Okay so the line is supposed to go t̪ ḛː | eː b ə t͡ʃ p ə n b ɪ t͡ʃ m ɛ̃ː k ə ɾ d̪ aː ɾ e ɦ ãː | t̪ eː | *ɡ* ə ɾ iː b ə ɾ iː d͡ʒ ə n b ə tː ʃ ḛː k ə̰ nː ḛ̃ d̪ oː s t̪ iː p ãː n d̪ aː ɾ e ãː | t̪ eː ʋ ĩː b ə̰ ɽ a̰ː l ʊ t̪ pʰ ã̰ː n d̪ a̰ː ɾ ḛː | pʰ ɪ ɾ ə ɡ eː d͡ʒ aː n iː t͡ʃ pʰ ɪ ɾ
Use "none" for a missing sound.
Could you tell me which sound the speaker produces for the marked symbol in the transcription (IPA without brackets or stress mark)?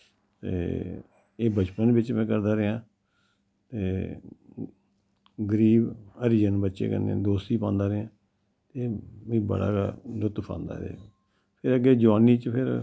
ɡ